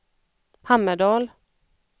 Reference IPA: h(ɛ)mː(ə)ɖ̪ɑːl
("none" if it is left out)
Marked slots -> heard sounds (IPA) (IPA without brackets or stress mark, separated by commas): a, ə